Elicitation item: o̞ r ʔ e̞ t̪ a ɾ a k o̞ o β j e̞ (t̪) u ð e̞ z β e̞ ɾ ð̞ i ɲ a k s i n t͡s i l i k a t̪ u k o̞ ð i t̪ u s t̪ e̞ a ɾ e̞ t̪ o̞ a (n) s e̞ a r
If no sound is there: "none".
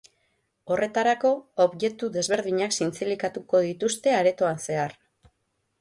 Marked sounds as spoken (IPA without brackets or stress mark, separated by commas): t̪, n